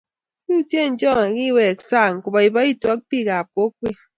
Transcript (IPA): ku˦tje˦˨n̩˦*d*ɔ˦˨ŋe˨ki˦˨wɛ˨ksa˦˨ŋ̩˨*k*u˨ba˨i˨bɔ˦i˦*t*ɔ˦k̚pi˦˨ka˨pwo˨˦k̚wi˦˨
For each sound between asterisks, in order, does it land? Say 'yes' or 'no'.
no, yes, yes

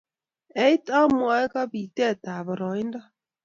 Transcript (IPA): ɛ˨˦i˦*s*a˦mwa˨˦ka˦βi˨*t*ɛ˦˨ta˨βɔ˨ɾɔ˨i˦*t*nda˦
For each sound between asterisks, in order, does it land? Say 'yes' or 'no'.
no, yes, no

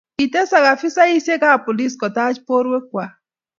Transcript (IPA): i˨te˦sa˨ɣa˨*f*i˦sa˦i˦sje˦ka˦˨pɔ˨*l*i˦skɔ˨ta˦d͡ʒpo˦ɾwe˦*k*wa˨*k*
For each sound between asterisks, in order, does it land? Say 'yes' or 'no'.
yes, yes, yes, no

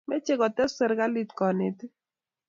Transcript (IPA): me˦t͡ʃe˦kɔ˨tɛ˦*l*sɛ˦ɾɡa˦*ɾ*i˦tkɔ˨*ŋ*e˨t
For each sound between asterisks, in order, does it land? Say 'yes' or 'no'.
no, no, no

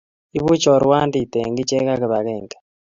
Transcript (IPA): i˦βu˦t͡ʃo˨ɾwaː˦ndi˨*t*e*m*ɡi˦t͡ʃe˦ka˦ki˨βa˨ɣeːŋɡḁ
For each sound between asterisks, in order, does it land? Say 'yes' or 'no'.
yes, no

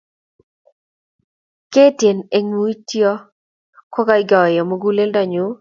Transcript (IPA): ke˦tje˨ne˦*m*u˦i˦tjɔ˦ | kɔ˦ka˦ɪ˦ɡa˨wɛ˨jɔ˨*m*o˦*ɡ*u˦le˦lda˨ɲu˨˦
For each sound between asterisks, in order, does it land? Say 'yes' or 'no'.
no, yes, yes

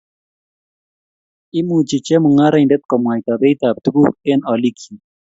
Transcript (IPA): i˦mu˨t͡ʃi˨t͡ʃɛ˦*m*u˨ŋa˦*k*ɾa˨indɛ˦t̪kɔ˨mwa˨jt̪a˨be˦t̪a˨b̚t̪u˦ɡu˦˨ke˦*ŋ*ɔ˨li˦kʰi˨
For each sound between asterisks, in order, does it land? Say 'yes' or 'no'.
yes, no, no

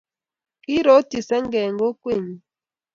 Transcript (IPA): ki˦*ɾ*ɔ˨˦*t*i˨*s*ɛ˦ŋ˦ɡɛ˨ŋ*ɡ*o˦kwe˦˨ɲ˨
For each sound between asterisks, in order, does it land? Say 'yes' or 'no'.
yes, yes, yes, yes

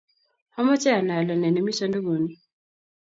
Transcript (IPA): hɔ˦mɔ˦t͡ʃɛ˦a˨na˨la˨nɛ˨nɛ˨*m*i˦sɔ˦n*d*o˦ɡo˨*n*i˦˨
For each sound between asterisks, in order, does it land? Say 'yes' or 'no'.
yes, yes, yes

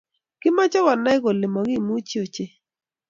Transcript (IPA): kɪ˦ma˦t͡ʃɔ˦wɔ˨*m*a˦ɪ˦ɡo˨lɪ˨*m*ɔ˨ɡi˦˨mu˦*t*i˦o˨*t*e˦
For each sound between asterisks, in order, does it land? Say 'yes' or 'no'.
no, yes, no, no

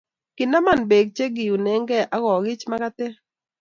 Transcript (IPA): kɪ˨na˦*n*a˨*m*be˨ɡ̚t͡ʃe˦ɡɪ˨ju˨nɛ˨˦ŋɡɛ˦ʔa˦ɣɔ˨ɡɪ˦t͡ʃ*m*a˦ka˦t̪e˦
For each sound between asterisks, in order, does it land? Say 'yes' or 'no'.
no, no, yes

